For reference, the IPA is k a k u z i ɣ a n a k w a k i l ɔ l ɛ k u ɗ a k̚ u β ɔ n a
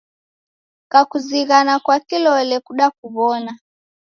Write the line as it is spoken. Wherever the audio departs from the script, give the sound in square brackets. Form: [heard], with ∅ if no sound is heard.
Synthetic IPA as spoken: k a k u z i ɣ a n a k w a k i l ɔ l ɛ k u ɗ a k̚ u β ɔ n a